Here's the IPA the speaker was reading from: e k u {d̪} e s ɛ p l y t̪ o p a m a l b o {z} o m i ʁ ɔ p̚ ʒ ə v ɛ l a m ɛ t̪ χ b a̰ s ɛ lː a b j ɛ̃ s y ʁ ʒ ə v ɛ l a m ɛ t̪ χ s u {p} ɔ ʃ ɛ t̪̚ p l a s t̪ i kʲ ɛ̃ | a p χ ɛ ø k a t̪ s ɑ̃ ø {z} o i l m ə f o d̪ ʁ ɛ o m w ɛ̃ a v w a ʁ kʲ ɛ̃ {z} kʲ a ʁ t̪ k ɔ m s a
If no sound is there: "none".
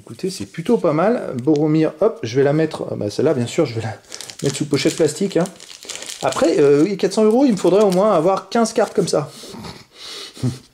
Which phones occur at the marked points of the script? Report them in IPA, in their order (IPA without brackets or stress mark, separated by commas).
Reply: t̪, ʁ, p, ʁ, z